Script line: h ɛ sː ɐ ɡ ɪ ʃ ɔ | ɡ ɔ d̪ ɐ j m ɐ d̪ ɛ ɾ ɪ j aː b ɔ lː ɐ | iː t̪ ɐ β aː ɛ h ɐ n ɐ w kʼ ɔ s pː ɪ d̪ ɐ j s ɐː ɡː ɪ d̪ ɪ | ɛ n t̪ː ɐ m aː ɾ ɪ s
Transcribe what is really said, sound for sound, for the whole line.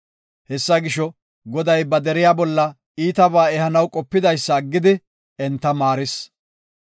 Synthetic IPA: h ɛ sː ɐ ɡ ɪ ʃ ɔ | ɡ ɔ d̪ ɐ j b ɐ d̪ ɛ ɾ ɪ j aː b ɔ lː ɐ | iː t̪ ɐ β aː ɛ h ɐ n ɐ w kʼ ɔ pː ɪ d̪ ɐ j sː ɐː ɡː ɪ d̪ ɪ | ɛ n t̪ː ɐ m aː ɾ ɪ s